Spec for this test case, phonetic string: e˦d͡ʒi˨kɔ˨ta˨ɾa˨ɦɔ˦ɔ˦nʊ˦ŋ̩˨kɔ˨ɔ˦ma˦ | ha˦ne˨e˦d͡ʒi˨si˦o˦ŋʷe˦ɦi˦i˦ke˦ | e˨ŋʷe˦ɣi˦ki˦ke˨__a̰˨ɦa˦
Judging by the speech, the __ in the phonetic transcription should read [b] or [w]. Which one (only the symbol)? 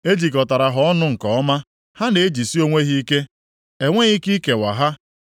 w